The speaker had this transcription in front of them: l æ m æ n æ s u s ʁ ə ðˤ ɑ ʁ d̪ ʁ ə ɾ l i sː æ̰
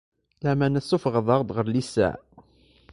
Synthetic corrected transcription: l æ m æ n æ s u f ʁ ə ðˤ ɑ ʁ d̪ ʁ ə ɾ l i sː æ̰